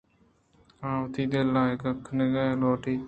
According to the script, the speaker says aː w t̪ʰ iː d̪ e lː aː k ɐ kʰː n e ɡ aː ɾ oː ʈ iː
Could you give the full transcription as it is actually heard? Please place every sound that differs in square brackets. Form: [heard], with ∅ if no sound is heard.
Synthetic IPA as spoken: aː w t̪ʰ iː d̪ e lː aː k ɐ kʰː n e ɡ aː [l] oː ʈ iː